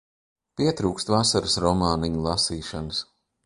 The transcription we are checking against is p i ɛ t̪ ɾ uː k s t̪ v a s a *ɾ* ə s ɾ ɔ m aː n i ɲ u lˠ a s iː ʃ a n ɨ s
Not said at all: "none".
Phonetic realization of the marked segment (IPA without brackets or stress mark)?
ɾ